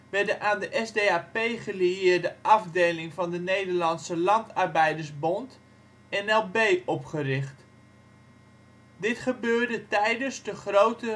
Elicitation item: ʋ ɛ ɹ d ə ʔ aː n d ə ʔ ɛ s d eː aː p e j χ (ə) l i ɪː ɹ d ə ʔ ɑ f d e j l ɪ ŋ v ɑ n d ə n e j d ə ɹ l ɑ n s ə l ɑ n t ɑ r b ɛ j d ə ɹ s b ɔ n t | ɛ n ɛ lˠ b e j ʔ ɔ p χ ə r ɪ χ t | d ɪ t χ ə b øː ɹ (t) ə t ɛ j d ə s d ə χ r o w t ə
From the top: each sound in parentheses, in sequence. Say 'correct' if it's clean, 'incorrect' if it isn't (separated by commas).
correct, incorrect